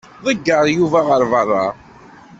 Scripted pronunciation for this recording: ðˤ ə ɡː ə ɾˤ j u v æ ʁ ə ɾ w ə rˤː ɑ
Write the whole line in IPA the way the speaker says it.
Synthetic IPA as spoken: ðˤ ə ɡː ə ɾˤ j u v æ ʁ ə ɾ v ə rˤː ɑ